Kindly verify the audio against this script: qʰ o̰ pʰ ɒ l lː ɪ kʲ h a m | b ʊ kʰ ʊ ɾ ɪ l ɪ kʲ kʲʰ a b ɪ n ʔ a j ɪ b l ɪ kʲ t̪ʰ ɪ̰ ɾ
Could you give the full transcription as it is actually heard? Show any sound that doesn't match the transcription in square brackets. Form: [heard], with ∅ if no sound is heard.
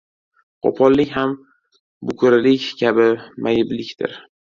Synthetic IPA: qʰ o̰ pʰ ɒ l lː ɪ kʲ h a m | b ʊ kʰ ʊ ɾ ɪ l ɪ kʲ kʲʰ a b ɪ [m] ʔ a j ɪ b l ɪ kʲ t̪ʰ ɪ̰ ɾ